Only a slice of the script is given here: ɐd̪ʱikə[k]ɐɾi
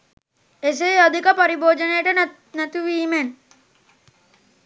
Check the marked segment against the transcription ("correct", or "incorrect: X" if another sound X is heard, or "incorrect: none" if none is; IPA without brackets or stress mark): incorrect: p